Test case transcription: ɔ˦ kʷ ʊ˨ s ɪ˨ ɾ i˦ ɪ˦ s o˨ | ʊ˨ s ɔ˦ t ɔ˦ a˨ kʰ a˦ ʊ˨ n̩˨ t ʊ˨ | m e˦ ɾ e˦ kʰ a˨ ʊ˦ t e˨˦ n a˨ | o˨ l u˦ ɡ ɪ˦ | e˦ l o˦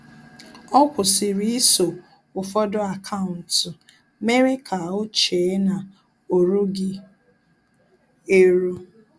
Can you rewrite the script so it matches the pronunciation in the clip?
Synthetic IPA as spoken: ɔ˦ kʷ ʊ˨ s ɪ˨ ɾ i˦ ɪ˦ s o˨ | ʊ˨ f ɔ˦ d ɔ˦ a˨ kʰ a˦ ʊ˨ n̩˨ t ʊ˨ | m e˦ ɾ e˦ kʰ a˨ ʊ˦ t͡ʃ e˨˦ n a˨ | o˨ ɾ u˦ ɡ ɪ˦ | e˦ ɾ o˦